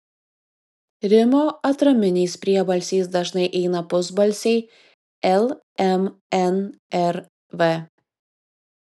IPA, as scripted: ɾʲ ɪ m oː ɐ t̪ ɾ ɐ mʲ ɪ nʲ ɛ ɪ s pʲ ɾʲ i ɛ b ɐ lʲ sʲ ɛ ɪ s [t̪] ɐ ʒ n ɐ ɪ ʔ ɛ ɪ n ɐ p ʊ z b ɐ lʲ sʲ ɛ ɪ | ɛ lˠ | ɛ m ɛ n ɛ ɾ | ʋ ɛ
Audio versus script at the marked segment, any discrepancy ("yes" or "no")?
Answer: yes